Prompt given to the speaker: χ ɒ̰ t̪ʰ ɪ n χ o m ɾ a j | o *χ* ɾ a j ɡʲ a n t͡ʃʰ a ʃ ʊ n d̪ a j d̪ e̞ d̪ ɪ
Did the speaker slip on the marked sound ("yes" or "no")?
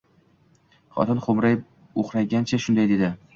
no